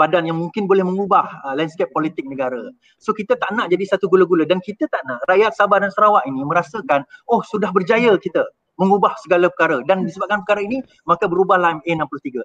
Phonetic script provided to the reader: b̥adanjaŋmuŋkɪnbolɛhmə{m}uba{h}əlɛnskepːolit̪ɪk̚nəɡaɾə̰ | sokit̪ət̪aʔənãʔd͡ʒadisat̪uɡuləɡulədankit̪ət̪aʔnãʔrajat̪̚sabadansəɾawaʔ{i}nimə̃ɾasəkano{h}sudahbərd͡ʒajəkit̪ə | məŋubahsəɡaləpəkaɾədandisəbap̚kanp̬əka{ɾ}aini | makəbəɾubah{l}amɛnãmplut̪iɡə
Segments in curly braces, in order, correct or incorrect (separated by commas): incorrect, correct, correct, correct, correct, correct